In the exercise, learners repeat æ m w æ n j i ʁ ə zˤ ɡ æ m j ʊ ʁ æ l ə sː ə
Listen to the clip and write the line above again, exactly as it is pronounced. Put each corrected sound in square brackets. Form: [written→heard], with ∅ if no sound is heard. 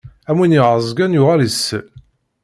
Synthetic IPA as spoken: æ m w [æ→i] n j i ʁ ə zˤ ɡ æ [m→n] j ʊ ʁ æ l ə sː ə